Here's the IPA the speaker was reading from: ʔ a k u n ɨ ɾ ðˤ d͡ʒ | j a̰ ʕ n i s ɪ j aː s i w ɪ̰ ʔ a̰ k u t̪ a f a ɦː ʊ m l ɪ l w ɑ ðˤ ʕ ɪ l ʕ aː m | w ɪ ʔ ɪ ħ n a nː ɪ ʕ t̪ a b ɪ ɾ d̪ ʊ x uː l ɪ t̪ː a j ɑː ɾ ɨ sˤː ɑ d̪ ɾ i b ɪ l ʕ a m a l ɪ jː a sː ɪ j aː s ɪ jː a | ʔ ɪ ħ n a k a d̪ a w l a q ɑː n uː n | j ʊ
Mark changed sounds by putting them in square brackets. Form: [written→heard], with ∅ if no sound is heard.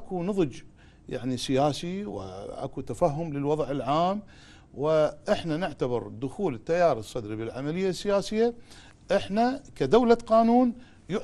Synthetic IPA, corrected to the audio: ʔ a k u n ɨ [ɾ→∅] ðˤ d͡ʒ | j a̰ ʕ n i s ɪ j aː s i w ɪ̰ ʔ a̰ k u t̪ a f a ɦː ʊ m l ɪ l w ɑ ðˤ ʕ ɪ l ʕ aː m | w ɪ ʔ ɪ ħ n a [nː→n] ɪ ʕ t̪ a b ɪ ɾ d̪ ʊ x uː l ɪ t̪ː a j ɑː ɾ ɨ sˤː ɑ d̪ ɾ i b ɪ l ʕ a m a l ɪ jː a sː ɪ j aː s ɪ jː a | ʔ ɪ ħ n a k a d̪ a w l a q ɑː n uː n | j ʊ

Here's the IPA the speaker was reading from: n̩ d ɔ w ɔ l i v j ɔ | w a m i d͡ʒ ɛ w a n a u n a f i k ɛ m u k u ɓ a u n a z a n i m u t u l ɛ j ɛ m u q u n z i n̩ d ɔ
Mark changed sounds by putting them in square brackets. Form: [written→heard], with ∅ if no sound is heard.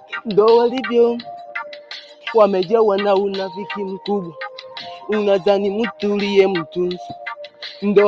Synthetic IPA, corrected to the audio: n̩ d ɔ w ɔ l i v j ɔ | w a m [i→ɛ] d͡ʒ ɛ w a n a u n a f i k [ɛ→i] m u k u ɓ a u n a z a n i m u t u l [ɛ→i] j ɛ m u [q→t] u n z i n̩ d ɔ

